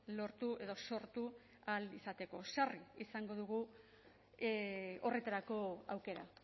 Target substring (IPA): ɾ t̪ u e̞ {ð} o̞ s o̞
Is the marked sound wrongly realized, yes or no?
no